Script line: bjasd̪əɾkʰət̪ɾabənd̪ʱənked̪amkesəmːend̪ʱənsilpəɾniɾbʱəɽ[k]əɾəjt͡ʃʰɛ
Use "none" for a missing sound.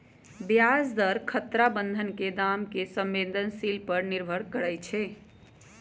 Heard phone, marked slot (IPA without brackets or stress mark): k